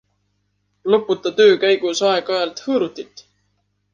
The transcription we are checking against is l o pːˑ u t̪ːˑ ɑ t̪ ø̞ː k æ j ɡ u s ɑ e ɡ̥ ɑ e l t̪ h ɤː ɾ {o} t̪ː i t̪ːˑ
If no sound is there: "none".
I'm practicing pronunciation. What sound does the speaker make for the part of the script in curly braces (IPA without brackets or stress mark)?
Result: u